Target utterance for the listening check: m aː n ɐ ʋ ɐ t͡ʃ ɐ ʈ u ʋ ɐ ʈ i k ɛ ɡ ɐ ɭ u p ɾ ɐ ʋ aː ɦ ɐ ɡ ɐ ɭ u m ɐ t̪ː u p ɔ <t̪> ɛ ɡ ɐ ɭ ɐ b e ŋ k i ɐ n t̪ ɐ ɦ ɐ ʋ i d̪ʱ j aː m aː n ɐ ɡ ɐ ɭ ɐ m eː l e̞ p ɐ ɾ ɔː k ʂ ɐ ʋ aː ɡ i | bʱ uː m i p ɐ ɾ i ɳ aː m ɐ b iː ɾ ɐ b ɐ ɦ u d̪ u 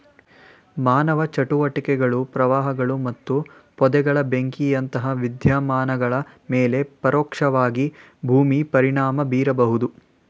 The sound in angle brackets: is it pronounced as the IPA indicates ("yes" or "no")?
no